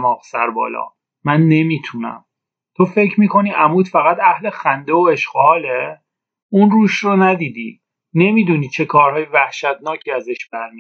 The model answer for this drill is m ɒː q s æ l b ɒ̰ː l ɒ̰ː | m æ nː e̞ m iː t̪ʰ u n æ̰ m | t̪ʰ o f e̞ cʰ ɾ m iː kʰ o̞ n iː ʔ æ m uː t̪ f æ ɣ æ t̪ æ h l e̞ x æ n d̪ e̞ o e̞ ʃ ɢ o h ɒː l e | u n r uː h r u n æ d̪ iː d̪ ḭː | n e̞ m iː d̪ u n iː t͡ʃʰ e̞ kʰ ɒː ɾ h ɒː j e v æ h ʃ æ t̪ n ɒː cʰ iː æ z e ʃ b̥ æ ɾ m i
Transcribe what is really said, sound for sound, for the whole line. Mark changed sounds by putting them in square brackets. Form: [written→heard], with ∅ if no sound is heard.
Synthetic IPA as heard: m ɒː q s æ [l→ɾ] b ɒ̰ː l ɒ̰ː | m æ nː e̞ m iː t̪ʰ u n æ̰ m | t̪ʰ o f e̞ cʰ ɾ m iː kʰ o̞ n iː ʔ æ m uː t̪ f æ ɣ æ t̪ æ h l e̞ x æ n d̪ e̞ o e̞ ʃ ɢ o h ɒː l e | u n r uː [h→ʃ] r [u→o] n æ d̪ iː d̪ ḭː | n e̞ m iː d̪ u n iː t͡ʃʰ e̞ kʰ ɒː ɾ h ɒː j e v æ h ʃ æ t̪ n ɒː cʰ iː æ z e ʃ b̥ æ ɾ m i